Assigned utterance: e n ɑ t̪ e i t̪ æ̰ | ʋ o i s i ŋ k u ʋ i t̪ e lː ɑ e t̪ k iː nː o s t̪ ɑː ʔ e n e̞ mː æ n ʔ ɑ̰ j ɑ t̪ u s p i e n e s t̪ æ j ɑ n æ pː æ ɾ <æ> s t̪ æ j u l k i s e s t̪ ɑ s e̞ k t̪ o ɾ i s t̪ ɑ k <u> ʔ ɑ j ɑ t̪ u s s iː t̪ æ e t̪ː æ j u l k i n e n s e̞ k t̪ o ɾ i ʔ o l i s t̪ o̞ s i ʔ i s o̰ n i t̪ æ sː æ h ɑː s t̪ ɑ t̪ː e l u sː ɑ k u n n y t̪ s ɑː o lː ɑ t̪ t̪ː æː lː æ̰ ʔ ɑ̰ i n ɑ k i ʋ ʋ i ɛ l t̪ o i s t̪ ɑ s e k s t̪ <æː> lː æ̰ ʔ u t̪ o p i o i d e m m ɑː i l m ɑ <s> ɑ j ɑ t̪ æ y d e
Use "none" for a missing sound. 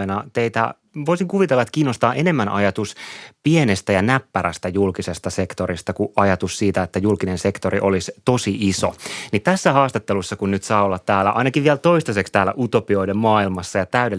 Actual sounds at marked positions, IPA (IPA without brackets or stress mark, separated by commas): æ, u, æː, sː